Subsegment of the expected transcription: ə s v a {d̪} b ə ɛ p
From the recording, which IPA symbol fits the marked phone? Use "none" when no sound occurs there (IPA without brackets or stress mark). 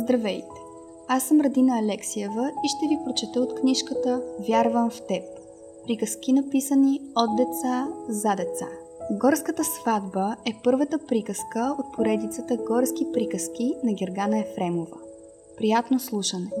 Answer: d̪